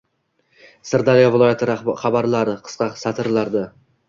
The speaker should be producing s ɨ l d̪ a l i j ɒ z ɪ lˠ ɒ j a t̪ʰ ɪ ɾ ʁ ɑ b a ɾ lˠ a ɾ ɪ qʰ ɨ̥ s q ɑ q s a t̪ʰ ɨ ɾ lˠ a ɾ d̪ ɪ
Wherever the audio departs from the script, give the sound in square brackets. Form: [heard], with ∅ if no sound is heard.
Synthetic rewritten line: s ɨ [ɾ] d̪ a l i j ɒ [v] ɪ lˠ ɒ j a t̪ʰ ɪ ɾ [χ] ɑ b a ɾ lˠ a ɾ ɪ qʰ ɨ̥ s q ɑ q s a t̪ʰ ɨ ɾ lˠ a ɾ d̪ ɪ